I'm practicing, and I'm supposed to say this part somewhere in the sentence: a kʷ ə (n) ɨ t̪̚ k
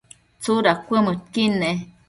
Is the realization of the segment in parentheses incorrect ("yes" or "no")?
yes